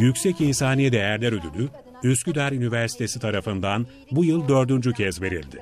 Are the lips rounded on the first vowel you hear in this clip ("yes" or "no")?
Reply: yes